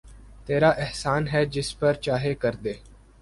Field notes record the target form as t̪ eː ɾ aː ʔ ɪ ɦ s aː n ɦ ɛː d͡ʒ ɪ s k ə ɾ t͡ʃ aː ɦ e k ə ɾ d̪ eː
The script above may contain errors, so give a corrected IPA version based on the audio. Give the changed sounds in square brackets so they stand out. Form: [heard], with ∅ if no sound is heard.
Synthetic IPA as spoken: t̪ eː ɾ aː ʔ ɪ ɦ s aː n ɦ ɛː d͡ʒ ɪ s [p] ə ɾ t͡ʃ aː ɦ e k ə ɾ d̪ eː